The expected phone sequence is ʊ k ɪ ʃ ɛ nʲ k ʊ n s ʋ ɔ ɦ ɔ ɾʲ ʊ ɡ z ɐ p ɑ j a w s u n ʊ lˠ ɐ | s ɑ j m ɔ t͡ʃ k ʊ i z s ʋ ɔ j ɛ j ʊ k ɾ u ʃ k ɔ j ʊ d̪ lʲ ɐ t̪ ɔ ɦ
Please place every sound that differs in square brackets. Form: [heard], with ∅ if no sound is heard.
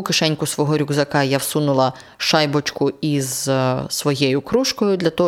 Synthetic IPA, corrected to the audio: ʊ k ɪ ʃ ɛ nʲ k ʊ [∅] s ʋ ɔ ɦ ɔ ɾʲ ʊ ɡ z ɐ [k] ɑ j a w s u n ʊ lˠ ɐ | [ʃ] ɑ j [b] ɔ t͡ʃ k ʊ i z s ʋ ɔ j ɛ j ʊ k ɾ u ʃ k ɔ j ʊ d̪ lʲ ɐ t̪ ɔ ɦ